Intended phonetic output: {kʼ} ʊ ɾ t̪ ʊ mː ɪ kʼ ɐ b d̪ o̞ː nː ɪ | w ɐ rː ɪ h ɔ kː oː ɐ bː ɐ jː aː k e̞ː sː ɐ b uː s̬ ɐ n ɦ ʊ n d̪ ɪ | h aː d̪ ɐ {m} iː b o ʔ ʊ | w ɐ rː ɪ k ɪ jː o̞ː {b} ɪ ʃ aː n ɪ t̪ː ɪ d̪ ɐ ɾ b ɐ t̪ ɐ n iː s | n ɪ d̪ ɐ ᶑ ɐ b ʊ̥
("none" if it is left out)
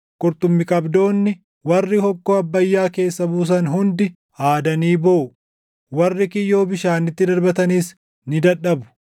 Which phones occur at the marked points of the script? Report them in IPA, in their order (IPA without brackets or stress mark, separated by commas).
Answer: kʼ, n, b